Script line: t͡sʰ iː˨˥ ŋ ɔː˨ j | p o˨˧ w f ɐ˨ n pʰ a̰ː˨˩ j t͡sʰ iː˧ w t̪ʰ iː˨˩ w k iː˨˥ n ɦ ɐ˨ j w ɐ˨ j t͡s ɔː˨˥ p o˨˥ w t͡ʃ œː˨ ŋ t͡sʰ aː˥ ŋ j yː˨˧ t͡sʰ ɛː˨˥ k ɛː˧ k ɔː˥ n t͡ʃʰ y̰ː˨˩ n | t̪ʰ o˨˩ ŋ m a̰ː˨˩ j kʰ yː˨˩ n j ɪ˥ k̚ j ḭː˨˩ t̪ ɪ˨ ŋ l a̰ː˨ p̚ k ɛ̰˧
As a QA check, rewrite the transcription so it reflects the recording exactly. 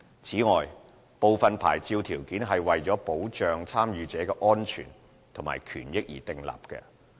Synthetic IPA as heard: t͡sʰ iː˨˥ ŋ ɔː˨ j | p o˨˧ w f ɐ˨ n pʰ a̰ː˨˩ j t͡s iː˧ w t̪ʰ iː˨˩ w k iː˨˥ n ɦ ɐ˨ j w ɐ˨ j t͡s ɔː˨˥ p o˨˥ w t͡ʃ œː˨ ŋ t͡sʰ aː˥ m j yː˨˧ t͡s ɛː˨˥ k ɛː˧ ʔ ɔː˥ n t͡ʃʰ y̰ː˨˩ n | t̪ʰ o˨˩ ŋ m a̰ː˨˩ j kʰ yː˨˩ n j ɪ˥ k̚ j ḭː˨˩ t̪ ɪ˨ ŋ l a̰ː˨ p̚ k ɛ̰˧